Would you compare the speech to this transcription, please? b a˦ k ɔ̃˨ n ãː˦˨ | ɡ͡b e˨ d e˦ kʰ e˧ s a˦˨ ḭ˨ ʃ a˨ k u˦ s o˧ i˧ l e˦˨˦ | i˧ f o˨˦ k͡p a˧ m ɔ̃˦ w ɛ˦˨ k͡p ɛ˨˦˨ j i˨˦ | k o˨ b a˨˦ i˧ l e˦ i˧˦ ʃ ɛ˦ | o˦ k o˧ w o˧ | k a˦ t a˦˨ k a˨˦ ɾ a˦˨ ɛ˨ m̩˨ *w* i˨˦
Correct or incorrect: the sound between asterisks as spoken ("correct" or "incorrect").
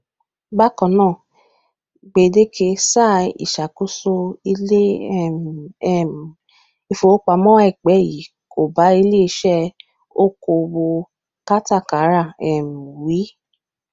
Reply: correct